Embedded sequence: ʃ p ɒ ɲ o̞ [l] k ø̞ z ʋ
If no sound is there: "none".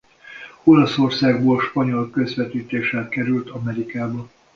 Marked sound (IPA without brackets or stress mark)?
l